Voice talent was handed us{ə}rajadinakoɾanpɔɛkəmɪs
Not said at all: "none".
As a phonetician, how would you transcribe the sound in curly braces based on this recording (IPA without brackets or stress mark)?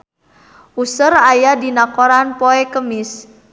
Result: ə